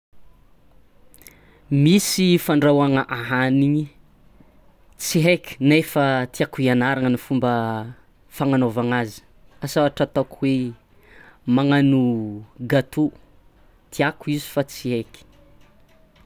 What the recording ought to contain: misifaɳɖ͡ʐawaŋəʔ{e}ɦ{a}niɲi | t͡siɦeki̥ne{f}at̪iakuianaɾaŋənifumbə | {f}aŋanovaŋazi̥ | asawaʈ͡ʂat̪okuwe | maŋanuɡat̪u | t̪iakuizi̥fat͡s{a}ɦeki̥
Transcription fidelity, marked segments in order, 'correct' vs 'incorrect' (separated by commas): incorrect, correct, correct, correct, incorrect